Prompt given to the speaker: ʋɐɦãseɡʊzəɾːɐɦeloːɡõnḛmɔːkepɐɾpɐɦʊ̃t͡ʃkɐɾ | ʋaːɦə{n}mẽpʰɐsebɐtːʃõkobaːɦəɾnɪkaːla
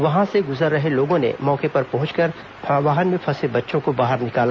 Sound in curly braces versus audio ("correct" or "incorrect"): correct